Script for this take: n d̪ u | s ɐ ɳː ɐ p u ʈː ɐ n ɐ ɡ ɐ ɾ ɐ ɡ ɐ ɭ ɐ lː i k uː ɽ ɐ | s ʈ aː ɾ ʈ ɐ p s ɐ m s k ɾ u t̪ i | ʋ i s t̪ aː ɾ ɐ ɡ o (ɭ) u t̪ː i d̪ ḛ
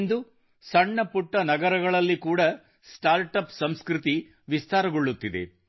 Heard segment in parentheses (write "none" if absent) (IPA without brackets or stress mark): ɭː